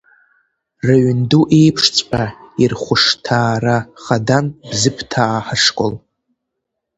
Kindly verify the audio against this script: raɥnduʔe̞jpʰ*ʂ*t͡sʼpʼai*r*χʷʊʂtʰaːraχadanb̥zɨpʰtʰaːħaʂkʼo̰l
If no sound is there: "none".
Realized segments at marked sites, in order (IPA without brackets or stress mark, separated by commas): ʂ, r